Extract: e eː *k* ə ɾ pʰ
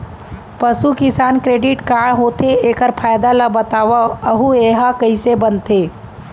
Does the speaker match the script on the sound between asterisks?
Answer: yes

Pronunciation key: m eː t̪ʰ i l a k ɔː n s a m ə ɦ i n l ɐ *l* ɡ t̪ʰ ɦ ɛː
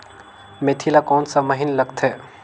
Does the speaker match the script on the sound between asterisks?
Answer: no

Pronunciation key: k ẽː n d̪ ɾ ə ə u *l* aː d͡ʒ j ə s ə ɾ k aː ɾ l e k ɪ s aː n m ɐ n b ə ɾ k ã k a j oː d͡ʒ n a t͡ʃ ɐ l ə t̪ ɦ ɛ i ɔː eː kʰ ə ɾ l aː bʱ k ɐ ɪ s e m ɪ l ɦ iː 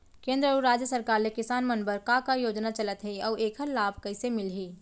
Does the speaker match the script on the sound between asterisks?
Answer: no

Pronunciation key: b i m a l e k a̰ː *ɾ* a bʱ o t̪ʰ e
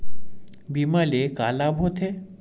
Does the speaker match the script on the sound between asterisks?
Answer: no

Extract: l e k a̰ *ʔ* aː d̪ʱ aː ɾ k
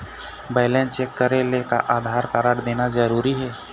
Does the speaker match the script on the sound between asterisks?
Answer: yes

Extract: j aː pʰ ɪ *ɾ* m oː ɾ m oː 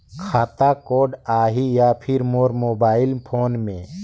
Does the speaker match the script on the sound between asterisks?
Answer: yes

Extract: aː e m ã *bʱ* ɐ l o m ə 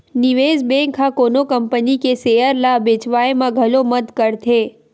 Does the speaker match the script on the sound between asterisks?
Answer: no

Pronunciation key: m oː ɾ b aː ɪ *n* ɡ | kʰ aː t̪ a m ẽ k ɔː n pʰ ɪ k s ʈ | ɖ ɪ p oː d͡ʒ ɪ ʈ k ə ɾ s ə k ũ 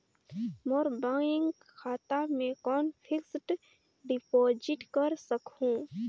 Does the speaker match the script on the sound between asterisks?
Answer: no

